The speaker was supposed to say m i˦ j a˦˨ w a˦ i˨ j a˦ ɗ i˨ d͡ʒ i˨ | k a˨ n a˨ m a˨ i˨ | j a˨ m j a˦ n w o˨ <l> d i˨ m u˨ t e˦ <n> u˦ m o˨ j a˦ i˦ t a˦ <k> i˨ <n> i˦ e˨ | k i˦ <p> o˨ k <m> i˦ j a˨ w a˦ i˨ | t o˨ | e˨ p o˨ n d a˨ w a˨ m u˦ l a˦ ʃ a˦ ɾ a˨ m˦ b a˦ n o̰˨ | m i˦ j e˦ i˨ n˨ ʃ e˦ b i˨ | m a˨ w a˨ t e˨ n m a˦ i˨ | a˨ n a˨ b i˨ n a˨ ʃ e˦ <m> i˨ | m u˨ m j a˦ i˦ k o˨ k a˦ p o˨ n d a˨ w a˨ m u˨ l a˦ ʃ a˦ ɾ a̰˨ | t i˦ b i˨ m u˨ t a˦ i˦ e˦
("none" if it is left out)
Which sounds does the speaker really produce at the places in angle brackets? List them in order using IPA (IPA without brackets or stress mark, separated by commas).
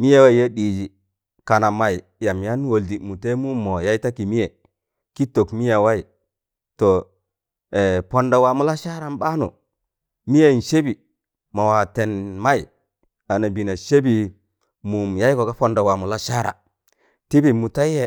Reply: l, m, k, m, t, m, b